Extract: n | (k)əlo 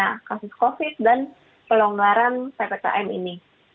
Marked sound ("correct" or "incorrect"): incorrect